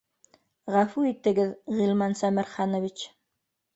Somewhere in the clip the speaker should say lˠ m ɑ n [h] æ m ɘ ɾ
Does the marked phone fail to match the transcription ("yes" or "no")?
yes